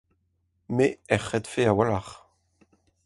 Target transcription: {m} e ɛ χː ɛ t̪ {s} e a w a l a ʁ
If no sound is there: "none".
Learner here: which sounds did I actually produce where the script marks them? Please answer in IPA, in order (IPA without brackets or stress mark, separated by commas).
m, f